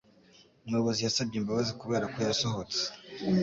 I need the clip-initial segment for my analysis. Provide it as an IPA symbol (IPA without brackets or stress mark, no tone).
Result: m